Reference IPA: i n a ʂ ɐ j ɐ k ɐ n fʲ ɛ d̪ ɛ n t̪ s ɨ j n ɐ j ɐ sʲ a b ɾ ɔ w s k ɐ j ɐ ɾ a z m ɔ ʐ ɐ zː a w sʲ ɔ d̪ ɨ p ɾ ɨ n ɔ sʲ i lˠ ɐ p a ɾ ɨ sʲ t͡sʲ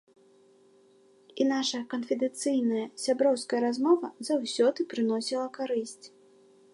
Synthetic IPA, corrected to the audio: i n a ʂ ɐ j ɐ k ɐ n fʲ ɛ d̪ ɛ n t̪ s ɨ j n ɐ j ɐ sʲ a b ɾ ɔ w s k ɐ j ɐ ɾ a z m ɔ v ɐ z a w sʲ ɔ d̪ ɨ p ɾ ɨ n ɔ sʲ i lˠ ɐ k a ɾ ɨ sʲ t͡sʲ